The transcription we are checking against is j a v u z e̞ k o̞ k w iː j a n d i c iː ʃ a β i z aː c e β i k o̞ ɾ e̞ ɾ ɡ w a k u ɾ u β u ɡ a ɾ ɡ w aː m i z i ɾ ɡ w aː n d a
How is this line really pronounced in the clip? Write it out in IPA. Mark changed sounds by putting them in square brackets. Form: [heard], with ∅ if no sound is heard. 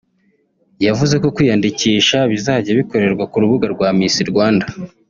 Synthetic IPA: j a v u z e̞ k o̞ k w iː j a n d i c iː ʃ a β i z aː [ɟ] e β i k o̞ ɾ e̞ ɾ ɡ w a k u ɾ u β u ɡ a ɾ ɡ w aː m i [s] i ɾ ɡ w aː n d a